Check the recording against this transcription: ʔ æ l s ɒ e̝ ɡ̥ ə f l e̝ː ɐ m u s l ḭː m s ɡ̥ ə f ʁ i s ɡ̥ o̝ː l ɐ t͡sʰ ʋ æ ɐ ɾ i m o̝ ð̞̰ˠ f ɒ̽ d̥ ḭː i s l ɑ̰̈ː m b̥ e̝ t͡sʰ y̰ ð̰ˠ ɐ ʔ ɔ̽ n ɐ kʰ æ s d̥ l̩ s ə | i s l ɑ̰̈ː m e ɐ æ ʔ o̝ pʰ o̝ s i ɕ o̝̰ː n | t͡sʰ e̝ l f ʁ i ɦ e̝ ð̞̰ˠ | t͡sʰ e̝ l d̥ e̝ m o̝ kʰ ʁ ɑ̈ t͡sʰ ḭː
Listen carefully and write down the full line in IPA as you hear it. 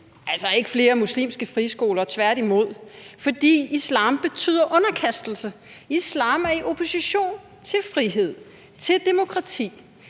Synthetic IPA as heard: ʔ æ l s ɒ e̝ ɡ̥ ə f l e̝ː ɐ m u s l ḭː m s ɡ̥ ə f ʁ i s ɡ̥ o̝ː l ɐ t͡sʰ ʋ æ ɐ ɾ i m o̝ ð̞̰ˠ f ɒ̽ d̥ ḭː i s l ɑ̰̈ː m b̥ e̝ t͡sʰ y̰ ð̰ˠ ɐ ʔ ɔ̽ n ɐ kʰ æ s d̥ l̩ s ə | i s l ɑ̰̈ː m æ ɐ i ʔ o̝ pʰ o̝ s i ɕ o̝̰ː n | t͡sʰ e̝ l f ʁ i ɦ e̝ ð̞̰ˠ | t͡sʰ e̝ l d̥ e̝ m o̝ kʰ ʁ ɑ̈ t͡sʰ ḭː